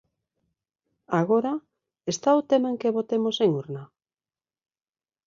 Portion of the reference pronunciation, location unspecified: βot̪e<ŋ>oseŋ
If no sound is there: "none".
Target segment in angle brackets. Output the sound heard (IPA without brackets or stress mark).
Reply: m